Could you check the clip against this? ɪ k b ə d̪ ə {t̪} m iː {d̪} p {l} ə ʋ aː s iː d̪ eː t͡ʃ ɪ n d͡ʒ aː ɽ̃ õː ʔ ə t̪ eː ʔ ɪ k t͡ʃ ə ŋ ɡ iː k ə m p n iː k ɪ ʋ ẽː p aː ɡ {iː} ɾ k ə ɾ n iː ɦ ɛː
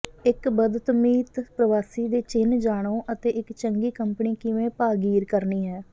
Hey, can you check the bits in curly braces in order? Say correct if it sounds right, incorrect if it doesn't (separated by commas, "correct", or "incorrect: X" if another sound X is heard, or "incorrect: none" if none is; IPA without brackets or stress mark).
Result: correct, incorrect: t̪, incorrect: ɾ, correct